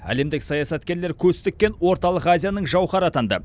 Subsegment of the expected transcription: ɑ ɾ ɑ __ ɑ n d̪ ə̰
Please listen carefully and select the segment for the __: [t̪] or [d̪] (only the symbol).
t̪